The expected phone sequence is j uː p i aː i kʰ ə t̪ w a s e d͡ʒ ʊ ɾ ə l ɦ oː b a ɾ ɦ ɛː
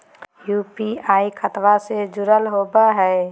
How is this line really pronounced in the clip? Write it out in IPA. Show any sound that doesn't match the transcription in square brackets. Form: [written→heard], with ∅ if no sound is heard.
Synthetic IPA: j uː p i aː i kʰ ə t̪ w a s e d͡ʒ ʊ ɾ ə l ɦ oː b a [ɾ→∅] ɦ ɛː